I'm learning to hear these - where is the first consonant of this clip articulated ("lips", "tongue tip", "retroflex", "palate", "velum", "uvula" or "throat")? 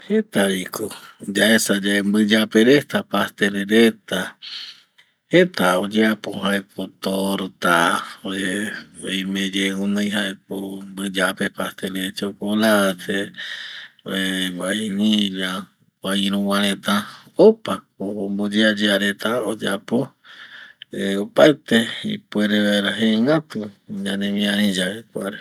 throat